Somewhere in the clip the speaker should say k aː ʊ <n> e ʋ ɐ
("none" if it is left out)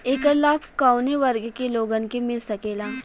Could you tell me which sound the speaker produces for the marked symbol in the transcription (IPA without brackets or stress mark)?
n